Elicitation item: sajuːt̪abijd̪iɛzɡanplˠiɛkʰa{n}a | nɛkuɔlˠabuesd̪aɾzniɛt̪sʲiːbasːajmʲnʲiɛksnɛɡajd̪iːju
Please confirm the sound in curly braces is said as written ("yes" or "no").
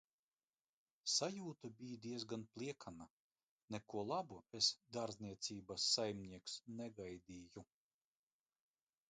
yes